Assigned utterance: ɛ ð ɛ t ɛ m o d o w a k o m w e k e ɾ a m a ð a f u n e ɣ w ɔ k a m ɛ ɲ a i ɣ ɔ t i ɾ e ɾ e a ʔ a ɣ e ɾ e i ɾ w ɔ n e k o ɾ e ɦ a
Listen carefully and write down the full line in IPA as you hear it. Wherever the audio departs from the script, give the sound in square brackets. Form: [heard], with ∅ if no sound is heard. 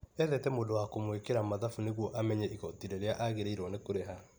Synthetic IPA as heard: ɛ ð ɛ t ɛ m o d o w a k o m w e k e ɾ a m a ð a f u n e ɣ w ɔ [ʔ] a m ɛ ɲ [ɛ] i ɣ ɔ t i ɾ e ɾ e a ʔ a ɣ e ɾ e i ɾ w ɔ n e k o ɾ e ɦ a